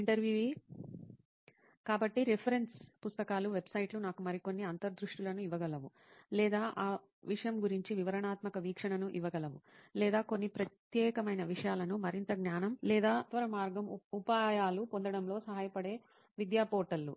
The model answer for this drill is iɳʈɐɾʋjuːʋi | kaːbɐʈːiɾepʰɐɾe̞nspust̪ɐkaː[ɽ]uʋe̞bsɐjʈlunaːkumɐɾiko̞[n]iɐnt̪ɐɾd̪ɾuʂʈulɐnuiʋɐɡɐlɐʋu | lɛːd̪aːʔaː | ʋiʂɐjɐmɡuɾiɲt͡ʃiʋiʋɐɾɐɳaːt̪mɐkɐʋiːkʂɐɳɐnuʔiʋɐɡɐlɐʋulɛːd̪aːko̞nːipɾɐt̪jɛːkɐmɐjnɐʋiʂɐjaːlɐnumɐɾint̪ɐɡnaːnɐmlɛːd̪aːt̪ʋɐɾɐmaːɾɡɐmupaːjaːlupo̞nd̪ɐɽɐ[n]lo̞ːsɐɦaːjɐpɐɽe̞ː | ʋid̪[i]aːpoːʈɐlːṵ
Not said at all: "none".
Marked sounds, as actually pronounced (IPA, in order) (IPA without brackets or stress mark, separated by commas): l, nː, m, j